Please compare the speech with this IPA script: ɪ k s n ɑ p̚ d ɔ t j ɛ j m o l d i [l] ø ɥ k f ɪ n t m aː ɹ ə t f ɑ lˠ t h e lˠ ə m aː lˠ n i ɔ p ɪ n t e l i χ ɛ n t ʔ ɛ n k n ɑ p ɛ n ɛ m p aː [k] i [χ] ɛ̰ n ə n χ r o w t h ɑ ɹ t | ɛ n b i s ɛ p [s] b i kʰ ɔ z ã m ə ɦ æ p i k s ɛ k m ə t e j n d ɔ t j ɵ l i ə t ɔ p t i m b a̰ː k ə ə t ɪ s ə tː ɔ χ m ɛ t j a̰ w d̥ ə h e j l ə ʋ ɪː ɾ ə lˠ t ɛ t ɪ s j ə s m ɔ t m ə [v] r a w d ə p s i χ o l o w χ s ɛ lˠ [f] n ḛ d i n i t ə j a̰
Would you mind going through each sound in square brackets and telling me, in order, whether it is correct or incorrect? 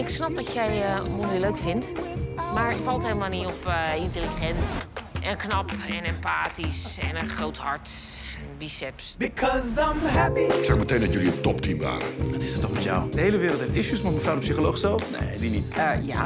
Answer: correct, incorrect, incorrect, correct, incorrect, correct

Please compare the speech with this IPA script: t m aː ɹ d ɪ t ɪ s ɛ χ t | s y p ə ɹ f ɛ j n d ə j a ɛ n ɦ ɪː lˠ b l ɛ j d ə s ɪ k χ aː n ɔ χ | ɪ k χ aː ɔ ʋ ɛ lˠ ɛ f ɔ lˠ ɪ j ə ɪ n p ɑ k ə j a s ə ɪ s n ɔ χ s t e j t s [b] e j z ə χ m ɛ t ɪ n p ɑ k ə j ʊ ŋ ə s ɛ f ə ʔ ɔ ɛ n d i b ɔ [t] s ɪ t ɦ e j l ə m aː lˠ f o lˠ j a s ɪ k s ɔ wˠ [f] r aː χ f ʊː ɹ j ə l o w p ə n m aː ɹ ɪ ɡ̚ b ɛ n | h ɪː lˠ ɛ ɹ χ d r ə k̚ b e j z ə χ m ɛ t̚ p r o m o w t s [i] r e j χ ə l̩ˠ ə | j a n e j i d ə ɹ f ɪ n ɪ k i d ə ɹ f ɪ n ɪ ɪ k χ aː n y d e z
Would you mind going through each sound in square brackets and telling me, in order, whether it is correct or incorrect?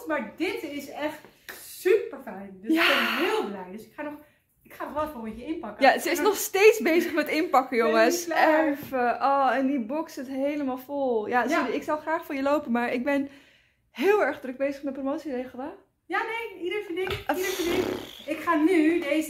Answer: correct, incorrect, incorrect, correct

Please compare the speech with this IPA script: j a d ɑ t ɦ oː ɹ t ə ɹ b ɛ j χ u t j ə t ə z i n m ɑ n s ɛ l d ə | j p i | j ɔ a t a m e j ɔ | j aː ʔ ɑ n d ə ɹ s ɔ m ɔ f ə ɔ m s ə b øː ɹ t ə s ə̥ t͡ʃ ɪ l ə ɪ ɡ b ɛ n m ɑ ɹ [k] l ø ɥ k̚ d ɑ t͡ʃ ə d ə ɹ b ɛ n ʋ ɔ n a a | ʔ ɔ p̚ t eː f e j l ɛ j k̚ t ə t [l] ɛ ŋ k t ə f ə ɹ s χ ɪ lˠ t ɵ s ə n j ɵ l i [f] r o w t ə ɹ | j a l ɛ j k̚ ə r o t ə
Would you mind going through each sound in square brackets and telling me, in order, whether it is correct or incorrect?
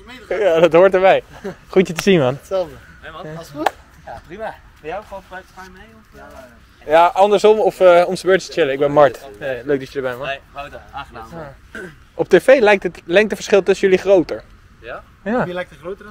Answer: incorrect, correct, incorrect

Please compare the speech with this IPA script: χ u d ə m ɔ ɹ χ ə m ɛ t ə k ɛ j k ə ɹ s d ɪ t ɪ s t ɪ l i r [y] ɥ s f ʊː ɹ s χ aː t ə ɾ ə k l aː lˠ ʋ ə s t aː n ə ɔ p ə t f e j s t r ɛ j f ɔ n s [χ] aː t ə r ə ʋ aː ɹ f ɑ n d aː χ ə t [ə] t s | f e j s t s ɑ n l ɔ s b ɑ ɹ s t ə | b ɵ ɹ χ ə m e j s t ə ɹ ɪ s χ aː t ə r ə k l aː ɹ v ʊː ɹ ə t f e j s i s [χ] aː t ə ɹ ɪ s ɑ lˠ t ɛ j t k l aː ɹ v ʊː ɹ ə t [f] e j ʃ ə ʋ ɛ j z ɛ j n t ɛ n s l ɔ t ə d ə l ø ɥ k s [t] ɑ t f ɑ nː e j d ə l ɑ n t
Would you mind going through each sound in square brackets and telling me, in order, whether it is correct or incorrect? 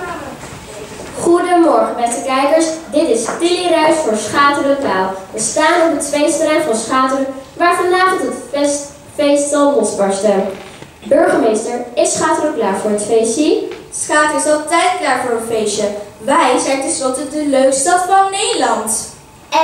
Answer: incorrect, correct, correct, correct, correct, correct

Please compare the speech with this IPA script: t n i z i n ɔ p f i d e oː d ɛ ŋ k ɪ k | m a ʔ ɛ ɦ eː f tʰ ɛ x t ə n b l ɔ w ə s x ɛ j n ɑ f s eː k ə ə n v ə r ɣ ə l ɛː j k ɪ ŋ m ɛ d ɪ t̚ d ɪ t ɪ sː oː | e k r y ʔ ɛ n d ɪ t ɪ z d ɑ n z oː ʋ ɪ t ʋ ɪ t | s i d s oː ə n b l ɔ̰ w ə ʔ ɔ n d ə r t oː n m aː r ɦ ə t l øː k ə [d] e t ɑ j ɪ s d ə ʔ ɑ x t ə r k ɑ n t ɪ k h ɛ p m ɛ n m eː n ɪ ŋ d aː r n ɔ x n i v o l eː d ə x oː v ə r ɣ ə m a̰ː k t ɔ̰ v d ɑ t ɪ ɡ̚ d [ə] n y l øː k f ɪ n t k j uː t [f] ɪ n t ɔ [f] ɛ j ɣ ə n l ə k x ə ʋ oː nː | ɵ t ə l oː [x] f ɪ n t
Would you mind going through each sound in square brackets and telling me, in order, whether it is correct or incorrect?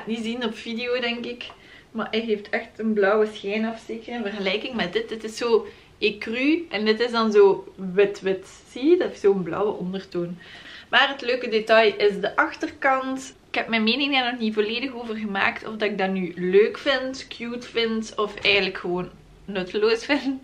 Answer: correct, incorrect, correct, correct, incorrect

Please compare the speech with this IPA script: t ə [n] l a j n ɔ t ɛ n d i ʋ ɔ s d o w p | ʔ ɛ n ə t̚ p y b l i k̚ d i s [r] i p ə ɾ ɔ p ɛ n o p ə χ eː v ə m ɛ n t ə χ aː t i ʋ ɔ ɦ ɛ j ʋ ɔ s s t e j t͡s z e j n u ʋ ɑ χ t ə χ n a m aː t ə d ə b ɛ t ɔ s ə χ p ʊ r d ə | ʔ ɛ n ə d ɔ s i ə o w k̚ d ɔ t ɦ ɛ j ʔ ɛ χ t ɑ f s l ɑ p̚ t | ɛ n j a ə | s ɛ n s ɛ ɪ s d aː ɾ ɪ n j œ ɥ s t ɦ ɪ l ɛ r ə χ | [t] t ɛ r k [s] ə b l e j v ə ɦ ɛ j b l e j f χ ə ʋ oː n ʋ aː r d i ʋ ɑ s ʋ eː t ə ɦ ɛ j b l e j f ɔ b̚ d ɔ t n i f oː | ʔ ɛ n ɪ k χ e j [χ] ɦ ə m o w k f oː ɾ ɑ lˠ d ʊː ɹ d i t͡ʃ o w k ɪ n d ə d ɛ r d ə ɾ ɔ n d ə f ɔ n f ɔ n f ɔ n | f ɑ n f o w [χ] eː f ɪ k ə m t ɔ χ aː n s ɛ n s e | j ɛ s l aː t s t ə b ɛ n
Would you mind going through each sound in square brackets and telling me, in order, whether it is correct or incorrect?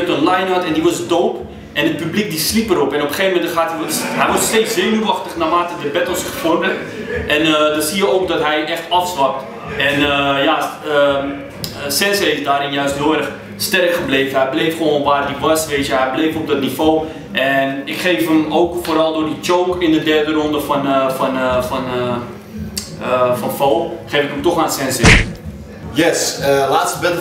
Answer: correct, incorrect, incorrect, incorrect, incorrect, correct

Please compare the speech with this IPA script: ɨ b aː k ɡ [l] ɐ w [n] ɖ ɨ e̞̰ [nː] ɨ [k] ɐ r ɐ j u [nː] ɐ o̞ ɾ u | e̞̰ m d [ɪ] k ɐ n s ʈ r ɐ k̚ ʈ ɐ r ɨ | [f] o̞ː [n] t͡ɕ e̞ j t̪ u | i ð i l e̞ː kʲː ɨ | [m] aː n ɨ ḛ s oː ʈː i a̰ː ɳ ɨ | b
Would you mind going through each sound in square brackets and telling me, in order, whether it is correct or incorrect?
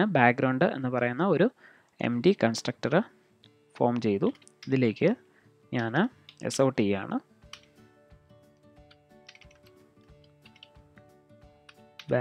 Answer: incorrect, incorrect, correct, incorrect, correct, incorrect, correct, incorrect, incorrect

